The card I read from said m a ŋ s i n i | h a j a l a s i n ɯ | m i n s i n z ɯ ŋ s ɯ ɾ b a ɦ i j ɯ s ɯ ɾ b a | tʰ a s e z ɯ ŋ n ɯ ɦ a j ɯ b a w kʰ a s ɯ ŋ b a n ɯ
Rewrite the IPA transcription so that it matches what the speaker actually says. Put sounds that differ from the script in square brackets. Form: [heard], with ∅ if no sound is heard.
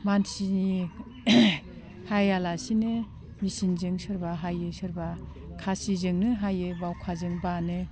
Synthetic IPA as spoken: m a [n] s i n i | h a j a l a s i n ɯ | m i [∅] s i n z ɯ ŋ s ɯ ɾ b a ɦ [a] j ɯ s ɯ ɾ b a | [kʰ] a s [i] z ɯ ŋ n ɯ ɦ a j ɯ b a w kʰ a [z] ɯ ŋ b a n ɯ